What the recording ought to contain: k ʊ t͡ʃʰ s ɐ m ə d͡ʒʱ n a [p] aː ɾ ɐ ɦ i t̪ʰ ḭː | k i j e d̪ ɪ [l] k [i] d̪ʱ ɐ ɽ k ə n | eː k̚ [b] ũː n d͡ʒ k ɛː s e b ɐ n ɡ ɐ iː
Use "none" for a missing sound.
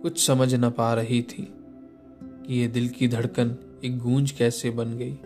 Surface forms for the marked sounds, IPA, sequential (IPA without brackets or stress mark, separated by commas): p, l, i, ɡ